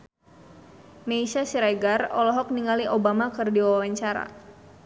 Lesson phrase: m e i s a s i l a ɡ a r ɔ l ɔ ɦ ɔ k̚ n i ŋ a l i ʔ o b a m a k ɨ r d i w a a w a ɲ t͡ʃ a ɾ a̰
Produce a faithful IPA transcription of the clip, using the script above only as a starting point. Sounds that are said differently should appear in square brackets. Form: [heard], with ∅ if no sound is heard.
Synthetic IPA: m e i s a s i [ɾ] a ɡ a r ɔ l ɔ ɦ ɔ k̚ n i ŋ a l i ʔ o b a m a k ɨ r d i w a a w a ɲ t͡ʃ a ɾ a̰

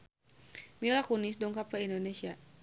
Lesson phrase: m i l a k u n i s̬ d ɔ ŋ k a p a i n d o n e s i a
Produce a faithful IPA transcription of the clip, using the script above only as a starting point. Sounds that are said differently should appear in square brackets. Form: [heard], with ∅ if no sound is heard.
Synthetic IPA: m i l a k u n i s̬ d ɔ ŋ k a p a i n d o n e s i a

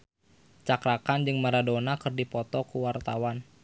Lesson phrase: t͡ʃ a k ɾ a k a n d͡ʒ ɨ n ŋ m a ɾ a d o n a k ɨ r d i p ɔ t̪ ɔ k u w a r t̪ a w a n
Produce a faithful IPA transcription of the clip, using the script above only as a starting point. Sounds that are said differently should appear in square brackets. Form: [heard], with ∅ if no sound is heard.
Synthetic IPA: t͡ʃ a k ɾ a k a n d͡ʒ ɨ [∅] ŋ m a ɾ a d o n a k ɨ r d i p ɔ t̪ ɔ k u w a r t̪ a w a n

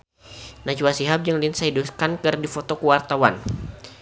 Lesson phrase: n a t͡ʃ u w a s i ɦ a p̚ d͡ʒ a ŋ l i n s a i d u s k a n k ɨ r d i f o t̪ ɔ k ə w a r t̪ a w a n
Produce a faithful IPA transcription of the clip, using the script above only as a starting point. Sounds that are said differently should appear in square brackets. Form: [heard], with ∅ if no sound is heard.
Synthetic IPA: n a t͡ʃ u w a s i ɦ a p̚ d͡ʒ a ŋ l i n s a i d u s k a n k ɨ r d i f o t̪ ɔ k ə w a r t̪ a w a n

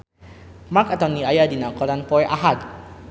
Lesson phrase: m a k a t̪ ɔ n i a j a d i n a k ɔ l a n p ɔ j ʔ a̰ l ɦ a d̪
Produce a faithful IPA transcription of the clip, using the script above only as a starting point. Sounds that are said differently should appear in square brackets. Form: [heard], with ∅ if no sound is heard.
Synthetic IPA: m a k a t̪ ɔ n i a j a d i n a k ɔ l a n p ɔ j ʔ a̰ [∅] ɦ a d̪

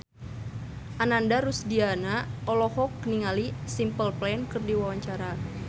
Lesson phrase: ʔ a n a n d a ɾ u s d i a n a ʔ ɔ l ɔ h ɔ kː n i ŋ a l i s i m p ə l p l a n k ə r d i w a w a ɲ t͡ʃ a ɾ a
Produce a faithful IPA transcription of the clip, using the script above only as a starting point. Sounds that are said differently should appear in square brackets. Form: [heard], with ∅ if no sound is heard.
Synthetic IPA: ʔ a n a n d a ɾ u s d i a n a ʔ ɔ l ɔ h ɔ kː n i ŋ a l i s i m p ə l p l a n k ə r d i w a w a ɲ t͡ʃ a ɾ a

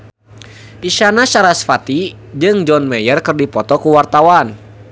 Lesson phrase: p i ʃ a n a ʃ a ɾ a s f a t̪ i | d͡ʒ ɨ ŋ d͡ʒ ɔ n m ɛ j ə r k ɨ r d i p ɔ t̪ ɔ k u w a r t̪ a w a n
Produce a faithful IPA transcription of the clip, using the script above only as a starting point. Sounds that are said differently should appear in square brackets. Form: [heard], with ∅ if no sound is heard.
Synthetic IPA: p i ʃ a n a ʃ a ɾ a s f a t̪ i | d͡ʒ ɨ ŋ d͡ʒ ɔ n m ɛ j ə r k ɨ r d i p ɔ t̪ ɔ k u w a r t̪ a w a n

